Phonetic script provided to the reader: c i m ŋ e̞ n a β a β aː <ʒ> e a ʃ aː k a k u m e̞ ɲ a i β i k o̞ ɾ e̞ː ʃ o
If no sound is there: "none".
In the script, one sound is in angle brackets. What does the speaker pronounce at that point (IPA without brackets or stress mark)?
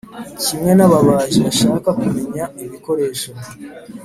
ʒ